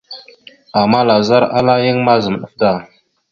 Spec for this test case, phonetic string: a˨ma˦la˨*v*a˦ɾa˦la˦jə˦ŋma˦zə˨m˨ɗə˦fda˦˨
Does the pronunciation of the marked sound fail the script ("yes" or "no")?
yes